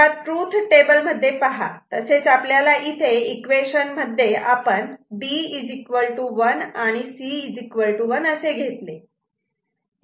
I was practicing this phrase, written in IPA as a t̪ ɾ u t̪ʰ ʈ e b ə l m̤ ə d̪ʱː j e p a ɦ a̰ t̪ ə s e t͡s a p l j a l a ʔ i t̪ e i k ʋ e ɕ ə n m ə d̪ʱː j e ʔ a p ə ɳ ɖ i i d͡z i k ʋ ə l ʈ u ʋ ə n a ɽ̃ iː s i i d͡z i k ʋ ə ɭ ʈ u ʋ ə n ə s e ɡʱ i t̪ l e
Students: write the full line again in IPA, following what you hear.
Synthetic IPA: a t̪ ɾ u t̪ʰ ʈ e b ə l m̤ ə d̪ʱː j e p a ɦ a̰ t̪ ə s e t͡s a p l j a l a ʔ i t̪ʰ e i k ʋ e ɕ ə n m ə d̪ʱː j e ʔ a p ə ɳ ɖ i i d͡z i k ʋ ə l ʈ u ʋ ə n a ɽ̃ i s i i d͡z i k ʋ ə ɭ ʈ u ʋ ə n ə s e ɡʱ e t̪ l e